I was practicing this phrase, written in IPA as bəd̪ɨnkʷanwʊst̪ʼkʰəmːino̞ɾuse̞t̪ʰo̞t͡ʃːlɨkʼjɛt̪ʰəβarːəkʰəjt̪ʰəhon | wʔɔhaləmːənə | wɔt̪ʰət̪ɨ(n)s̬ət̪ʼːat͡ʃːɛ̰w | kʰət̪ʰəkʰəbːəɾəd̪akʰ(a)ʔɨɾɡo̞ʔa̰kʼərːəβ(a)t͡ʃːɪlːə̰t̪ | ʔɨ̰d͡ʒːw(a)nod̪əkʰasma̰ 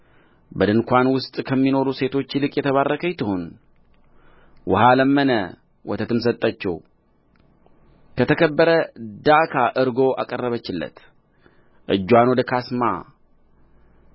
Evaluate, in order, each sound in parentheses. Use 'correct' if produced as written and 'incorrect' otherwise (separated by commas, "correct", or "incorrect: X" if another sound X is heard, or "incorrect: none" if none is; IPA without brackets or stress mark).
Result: incorrect: m, correct, incorrect: ə, correct